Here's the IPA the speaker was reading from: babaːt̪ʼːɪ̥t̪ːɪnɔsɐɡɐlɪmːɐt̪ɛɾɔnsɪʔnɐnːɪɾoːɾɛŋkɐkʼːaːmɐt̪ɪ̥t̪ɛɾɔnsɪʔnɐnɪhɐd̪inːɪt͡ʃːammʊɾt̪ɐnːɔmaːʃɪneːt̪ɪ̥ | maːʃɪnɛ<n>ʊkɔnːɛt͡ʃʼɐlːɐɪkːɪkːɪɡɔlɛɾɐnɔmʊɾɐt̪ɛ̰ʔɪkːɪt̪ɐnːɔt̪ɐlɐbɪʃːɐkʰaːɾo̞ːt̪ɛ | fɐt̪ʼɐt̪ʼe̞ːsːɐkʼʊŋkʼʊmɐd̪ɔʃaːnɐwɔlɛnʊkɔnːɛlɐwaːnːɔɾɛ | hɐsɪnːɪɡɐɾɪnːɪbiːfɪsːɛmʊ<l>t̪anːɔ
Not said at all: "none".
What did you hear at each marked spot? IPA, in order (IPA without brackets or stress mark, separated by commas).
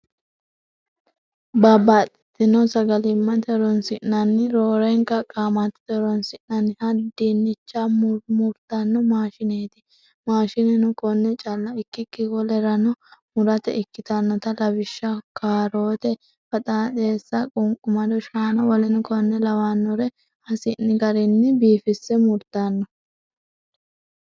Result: n, ɾ